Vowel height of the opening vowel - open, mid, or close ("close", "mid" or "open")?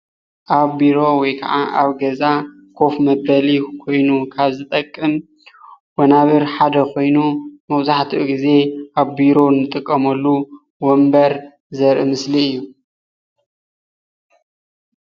open